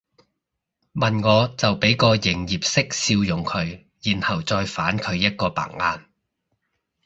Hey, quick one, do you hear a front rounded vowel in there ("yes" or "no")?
no